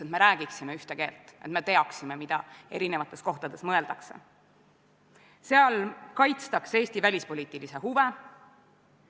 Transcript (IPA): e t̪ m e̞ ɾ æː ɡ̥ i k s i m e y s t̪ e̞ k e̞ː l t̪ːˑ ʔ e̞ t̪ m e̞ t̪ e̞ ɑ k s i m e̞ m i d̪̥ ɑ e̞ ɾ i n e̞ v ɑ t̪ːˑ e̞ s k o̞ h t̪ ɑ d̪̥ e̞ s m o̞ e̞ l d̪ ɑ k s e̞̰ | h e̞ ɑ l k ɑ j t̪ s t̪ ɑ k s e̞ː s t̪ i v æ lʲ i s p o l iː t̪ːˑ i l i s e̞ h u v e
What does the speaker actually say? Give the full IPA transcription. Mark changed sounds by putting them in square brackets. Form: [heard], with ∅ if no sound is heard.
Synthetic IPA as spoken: e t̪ m e̞ ɾ æː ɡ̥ i k s i m e y [h] t̪ e̞ k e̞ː l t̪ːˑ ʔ e̞ t̪ m e̞ t̪ e̞ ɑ k s i m e̞ m i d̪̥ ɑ e̞ ɾ i n e̞ v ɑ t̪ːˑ e̞ s k o̞ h t̪ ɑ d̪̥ e̞ s m [ɤ̞] e̞ l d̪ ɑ k s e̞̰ | [s] e̞ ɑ l k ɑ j t̪ s t̪ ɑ k s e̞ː s t̪ i v æ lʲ i s p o l iː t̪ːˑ i l i s e̞ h u v e